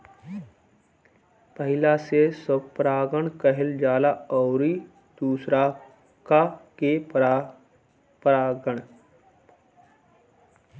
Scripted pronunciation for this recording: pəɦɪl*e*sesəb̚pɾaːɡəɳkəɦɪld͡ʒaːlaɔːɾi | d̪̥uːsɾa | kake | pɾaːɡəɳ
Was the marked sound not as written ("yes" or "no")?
yes